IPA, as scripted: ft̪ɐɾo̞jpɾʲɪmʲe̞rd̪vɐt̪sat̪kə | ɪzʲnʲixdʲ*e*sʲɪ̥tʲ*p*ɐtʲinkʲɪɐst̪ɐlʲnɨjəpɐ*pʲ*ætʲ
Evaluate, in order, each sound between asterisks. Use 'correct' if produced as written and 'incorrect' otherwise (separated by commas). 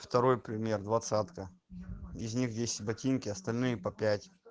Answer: correct, incorrect, correct